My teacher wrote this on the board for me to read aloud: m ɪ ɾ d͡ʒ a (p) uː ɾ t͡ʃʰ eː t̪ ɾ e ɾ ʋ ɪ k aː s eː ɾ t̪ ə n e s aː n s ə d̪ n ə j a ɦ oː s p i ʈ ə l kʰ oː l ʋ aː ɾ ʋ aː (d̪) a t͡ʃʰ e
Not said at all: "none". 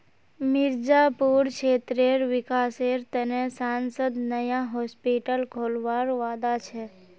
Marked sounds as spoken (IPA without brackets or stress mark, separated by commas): p, d̪